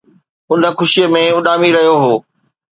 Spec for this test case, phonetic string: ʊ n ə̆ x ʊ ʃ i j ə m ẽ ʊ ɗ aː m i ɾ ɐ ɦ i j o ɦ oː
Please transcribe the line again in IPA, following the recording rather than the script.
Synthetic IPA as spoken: ʊ n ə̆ x ʊ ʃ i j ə m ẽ ʊ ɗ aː m i ɾ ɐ ɦ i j o ɦ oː